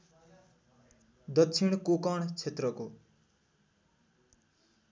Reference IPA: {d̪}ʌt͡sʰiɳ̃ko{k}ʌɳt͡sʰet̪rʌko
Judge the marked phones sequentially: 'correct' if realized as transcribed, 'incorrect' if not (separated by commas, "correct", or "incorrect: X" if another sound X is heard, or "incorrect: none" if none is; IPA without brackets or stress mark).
correct, correct